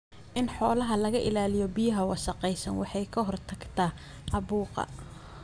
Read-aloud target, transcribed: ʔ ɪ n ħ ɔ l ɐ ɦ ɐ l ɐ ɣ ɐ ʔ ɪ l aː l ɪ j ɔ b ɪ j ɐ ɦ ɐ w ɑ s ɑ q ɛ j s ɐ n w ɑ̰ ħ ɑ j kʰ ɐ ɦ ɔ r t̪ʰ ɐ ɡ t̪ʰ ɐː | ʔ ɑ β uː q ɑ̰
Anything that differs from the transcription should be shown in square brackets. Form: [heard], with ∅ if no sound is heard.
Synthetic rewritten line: ʔ ɪ n ħ [ɔː] l ɐ ɦ ɐ l ɐ ɣ ɐ ʔ ɪ l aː l ɪ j ɔ b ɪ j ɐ ɦ ɐ w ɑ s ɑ q ɛ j s ɐ n w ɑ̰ ħ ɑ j kʰ ɐ ɦ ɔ r t̪ʰ ɐ ɡ t̪ʰ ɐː | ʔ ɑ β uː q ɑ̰